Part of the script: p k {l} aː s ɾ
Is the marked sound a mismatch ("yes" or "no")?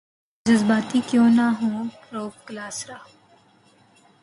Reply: no